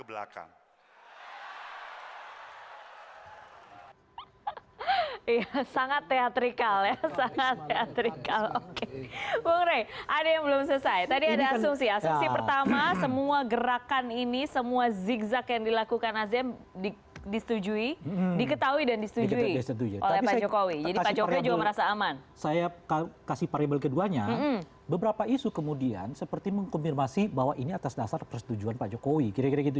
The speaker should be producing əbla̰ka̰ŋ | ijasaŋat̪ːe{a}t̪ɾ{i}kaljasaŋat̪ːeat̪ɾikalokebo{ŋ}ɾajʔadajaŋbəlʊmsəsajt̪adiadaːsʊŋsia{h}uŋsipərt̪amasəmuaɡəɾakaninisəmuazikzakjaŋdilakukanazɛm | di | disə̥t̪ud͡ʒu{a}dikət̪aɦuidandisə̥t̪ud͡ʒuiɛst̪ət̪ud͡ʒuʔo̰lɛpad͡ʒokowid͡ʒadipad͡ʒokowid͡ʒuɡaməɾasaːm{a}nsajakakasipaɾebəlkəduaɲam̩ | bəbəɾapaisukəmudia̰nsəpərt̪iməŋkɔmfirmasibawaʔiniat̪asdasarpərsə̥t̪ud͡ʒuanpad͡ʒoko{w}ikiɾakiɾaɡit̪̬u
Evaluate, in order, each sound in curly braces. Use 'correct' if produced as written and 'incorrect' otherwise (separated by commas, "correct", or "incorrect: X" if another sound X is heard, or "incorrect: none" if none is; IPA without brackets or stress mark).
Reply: correct, correct, correct, incorrect: s, incorrect: i, correct, correct